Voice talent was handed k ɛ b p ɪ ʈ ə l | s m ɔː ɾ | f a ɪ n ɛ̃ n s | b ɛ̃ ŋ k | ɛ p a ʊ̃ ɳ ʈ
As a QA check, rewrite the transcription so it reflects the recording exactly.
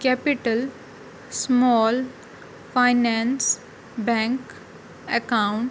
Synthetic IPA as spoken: k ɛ p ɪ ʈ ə l | s m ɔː l | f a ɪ n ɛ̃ n s | b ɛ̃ ŋ k | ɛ k a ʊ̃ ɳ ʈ